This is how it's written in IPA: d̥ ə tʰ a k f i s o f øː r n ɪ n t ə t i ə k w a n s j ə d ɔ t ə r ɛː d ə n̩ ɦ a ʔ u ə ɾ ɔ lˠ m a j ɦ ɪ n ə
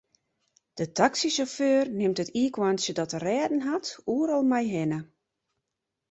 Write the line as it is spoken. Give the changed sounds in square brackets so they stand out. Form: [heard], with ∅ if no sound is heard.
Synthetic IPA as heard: d̥ ə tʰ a k [s] i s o f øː r n ɪ [m] t ə t i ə k w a n s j ə d ɔ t ə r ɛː d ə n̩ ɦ a [t] u ə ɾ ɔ lˠ m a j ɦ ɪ n ə